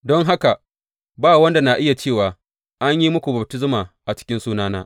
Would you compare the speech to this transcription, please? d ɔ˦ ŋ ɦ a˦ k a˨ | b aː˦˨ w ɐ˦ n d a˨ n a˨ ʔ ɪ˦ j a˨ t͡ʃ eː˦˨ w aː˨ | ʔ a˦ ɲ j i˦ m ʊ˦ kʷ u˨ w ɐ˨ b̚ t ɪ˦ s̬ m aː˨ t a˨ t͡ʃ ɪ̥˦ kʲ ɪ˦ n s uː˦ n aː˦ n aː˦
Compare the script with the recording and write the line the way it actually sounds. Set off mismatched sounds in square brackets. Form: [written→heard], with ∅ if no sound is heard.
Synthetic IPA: d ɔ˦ ŋ ɦ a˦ k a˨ | b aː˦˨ w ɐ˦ n d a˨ n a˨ ʔ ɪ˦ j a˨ t͡ʃ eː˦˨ w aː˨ | ʔ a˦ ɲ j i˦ m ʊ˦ kʷ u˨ [w→b] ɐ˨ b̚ t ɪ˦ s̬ m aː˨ [t→ʔ] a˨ t͡ʃ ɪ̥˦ kʲ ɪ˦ n s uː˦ n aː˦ n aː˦

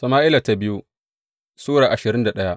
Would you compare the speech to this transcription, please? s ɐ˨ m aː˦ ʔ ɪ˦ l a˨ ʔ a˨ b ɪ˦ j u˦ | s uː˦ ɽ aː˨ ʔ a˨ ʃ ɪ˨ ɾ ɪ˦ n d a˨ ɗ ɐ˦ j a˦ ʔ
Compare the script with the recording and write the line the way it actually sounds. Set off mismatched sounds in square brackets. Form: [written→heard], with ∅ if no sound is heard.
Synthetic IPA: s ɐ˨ m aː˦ ʔ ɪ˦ l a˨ [ʔ→t] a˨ b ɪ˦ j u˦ | s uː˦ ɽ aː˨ ʔ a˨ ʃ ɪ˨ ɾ ɪ˦ n d a˨ ɗ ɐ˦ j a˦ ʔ

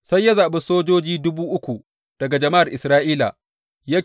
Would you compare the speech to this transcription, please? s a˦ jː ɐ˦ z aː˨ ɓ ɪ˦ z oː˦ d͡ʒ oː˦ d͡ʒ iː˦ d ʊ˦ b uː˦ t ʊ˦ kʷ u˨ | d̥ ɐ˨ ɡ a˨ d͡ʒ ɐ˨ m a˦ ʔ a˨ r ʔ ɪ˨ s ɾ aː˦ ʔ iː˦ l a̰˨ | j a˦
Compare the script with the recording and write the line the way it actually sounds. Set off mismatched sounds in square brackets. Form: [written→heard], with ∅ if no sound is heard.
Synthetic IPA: s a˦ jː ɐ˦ z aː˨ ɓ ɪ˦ [z→s] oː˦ d͡ʒ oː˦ d͡ʒ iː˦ d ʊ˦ b uː˦ [t→ʔ] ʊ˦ kʷ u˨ | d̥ ɐ˨ ɡ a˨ d͡ʒ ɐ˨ m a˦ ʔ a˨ r ʔ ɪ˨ s ɾ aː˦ ʔ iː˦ l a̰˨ | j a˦

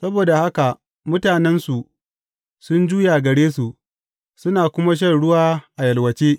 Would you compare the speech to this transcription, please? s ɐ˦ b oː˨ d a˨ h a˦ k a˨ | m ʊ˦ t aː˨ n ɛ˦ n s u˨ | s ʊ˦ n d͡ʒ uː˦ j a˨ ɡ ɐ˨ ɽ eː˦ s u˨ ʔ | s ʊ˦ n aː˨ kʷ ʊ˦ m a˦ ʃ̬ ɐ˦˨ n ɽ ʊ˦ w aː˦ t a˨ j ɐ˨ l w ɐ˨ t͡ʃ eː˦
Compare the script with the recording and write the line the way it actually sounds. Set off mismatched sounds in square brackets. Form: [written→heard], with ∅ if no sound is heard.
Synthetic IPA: s ɐ˦ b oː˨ d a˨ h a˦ k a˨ | m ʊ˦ t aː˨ n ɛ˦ n s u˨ | s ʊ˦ n d͡ʒ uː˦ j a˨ ɡ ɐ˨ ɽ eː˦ s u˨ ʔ | s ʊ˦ n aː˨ kʷ ʊ˦ m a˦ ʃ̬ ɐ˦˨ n ɽ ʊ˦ w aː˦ [t→ʔ] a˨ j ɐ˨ l w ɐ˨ t͡ʃ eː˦

